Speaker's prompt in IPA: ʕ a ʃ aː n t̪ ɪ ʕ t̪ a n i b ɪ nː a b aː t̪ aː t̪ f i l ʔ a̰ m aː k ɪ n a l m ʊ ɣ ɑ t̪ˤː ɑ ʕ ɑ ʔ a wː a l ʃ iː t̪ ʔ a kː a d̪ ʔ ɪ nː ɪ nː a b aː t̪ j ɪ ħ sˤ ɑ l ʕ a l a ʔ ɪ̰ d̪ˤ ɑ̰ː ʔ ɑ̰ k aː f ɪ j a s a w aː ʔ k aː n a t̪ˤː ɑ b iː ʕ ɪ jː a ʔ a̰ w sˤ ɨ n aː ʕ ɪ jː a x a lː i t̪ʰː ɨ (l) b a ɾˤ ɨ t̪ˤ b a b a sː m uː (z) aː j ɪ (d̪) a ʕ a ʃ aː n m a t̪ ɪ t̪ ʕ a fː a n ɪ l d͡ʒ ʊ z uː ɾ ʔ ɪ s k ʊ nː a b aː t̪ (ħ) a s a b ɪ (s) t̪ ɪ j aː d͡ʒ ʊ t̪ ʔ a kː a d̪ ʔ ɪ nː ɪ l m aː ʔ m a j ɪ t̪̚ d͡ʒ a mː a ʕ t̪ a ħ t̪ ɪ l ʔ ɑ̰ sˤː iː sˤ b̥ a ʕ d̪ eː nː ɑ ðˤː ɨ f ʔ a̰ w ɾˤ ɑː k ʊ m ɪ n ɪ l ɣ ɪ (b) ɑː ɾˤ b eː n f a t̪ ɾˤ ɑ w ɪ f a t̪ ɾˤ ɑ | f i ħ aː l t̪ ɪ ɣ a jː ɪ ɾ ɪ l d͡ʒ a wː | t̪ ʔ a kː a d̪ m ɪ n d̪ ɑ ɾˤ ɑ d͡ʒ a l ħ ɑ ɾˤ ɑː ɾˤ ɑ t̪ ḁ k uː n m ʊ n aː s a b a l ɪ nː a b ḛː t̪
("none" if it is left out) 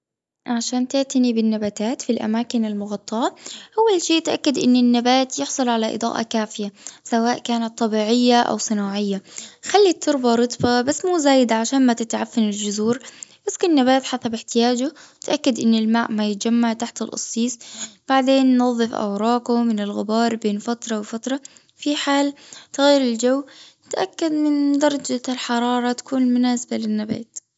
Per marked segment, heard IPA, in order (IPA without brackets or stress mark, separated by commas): ɾ, z, d̪, ħ, ħ, b